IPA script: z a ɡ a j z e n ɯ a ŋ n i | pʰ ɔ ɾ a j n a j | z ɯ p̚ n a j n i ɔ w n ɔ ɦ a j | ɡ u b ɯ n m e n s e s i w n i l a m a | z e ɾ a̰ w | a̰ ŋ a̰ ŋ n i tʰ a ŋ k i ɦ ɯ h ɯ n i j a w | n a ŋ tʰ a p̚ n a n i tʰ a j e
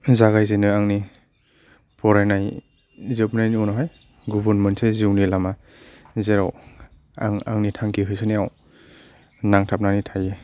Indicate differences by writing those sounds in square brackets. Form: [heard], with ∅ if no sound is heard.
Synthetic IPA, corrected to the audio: z a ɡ a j z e n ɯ a ŋ n i | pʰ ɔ ɾ a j n a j | z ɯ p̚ n a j n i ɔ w n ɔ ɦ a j | ɡ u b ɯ n m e n s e [z] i w n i l a m a | z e ɾ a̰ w | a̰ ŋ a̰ ŋ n i tʰ a ŋ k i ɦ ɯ [s] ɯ n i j a w | n a ŋ tʰ a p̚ n a n i tʰ a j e